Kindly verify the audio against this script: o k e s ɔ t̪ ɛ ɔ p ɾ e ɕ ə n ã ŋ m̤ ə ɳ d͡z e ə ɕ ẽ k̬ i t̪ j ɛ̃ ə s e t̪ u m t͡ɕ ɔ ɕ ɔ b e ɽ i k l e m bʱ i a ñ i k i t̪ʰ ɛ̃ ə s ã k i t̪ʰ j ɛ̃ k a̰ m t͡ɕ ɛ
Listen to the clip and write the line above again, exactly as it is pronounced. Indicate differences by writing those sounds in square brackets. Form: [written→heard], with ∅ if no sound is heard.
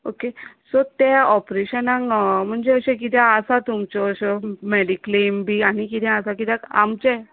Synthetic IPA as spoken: o k e s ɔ t̪ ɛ ɔ p ɾ e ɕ ə n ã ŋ m̤ ə ɳ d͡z e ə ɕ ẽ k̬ i t̪ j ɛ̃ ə s [e→a] t̪ u m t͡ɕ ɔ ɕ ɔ [b→m] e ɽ i k l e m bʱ i a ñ i k i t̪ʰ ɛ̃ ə s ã k i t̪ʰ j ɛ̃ k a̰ m t͡ɕ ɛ